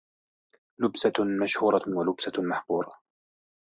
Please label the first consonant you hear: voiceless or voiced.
voiced